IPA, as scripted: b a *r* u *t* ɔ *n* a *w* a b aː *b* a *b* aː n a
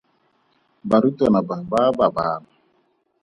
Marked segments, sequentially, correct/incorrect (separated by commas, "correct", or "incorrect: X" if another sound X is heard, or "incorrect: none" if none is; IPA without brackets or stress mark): incorrect: ɾ, correct, correct, incorrect: b, correct, correct